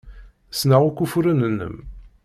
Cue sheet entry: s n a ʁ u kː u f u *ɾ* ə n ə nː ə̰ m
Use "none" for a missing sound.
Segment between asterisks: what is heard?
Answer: ɾ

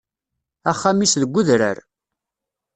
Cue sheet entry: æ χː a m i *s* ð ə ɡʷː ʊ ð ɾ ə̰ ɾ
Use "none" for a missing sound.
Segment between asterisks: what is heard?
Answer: s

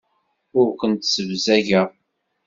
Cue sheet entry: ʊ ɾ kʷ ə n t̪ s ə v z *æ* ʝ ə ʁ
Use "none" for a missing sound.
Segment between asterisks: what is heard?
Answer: æ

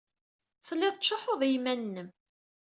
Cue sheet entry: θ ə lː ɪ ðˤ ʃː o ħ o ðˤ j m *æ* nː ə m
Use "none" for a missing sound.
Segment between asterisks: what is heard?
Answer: æ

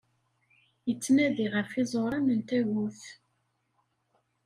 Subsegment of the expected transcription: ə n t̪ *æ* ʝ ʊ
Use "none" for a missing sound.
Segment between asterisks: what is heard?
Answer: æ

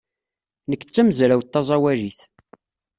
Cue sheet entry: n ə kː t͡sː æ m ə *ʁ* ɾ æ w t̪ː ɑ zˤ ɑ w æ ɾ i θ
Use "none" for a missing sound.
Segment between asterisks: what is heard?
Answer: z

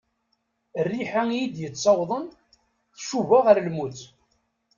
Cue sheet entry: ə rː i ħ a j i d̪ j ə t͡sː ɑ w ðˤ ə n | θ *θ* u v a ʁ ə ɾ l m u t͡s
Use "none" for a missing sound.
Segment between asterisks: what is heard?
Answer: ʃ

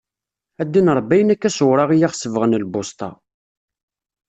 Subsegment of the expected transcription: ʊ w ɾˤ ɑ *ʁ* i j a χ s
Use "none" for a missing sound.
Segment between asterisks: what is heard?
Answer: ʁ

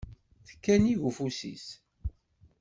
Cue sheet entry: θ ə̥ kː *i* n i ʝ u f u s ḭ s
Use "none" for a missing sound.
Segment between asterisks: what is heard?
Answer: æ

